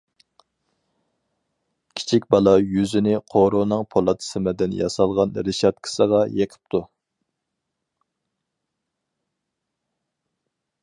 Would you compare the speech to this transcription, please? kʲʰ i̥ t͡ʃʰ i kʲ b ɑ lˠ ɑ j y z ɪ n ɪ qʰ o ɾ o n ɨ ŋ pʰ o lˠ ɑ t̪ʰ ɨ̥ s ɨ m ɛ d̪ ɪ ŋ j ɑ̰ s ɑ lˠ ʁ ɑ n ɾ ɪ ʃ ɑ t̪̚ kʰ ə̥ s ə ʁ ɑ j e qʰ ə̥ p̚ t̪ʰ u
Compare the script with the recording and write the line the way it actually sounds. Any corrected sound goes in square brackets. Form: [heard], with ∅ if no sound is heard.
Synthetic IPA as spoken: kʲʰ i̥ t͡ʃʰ i kʲ b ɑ lˠ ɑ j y z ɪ n ɪ qʰ o ɾ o n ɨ ŋ pʰ o lˠ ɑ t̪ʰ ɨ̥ s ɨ m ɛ d̪ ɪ [n] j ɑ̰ s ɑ lˠ ʁ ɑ n ɾ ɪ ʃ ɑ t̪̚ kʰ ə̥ s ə ʁ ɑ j e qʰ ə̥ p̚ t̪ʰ u